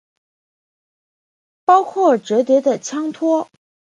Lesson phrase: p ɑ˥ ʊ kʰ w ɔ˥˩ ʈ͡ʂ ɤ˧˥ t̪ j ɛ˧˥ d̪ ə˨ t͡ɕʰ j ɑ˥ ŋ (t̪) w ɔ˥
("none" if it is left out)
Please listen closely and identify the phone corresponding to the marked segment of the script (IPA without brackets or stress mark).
t̪ʰ